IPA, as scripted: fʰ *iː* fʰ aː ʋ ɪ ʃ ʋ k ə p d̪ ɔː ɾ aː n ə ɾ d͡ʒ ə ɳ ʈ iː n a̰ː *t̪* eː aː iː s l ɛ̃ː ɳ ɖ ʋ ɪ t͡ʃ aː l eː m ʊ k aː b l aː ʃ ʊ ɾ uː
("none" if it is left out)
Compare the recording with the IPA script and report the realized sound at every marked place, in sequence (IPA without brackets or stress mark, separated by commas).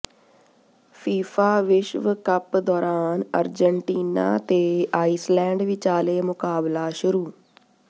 iː, t̪